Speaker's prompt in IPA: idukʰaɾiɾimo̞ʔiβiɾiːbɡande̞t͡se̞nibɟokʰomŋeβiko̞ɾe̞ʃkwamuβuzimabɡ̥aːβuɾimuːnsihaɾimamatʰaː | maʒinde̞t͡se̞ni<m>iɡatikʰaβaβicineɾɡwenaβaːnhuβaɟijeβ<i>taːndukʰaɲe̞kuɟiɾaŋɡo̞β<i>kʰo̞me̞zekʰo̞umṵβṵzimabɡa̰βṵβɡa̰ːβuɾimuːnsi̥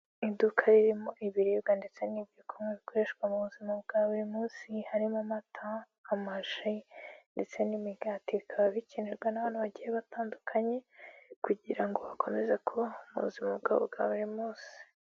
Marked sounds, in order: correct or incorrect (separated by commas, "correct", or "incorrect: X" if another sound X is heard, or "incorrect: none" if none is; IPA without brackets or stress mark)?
correct, incorrect: a, incorrect: a